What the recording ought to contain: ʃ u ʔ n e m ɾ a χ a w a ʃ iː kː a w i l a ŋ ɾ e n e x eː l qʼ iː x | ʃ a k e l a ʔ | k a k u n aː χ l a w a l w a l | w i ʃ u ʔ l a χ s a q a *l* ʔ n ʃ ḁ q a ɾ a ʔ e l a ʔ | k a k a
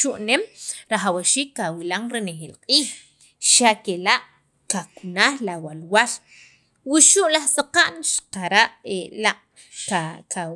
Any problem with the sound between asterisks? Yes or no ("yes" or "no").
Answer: yes